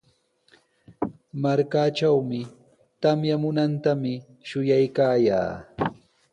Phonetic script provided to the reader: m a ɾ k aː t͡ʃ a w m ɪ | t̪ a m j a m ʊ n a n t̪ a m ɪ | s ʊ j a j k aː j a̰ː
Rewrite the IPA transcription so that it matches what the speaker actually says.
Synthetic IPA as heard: m a ɾ k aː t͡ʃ a w m ɪ | t̪ a m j a m ʊ n a n t̪ a m ɪ | ʃ ʊ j a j k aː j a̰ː